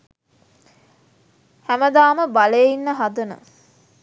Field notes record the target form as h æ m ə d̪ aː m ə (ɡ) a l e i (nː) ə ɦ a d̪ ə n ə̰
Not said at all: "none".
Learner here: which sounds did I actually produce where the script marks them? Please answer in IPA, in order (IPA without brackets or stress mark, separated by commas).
b, nː